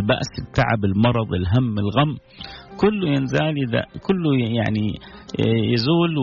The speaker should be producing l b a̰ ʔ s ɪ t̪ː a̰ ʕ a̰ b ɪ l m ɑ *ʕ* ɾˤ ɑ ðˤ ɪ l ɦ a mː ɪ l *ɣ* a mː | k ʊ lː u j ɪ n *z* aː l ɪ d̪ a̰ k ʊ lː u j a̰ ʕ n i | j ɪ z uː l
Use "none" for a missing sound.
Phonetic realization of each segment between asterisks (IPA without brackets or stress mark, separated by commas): none, ɣ, z